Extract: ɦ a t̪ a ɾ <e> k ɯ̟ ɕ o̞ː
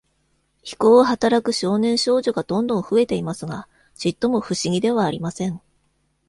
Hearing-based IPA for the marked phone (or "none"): a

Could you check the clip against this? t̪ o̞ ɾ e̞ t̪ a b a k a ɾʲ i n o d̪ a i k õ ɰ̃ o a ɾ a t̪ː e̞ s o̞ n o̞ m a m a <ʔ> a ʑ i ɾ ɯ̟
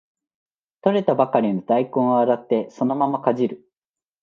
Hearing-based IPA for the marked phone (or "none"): k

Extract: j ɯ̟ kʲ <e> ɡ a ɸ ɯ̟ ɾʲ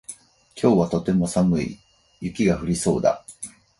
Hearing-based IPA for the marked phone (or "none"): i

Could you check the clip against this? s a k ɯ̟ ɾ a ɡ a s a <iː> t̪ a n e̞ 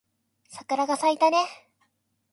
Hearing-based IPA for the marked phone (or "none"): i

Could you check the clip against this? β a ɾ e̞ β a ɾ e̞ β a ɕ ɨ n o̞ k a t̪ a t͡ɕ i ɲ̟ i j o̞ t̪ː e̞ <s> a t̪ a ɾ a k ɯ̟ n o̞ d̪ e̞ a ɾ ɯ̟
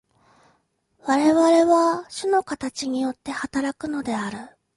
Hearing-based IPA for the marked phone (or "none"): h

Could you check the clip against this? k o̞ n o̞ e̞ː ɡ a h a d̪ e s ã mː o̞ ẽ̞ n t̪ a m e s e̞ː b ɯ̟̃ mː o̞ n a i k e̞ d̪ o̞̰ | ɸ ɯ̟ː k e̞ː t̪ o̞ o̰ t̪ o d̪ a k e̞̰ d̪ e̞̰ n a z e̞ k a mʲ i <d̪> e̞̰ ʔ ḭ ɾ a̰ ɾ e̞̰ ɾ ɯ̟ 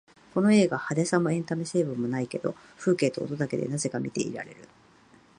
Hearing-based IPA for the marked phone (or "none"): t̪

